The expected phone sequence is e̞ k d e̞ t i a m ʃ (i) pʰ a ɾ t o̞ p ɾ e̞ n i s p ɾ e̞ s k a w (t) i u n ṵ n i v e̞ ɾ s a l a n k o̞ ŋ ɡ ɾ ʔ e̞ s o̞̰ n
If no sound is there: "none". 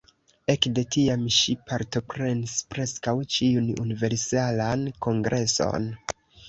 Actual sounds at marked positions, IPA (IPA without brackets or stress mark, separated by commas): i, t͡ʃ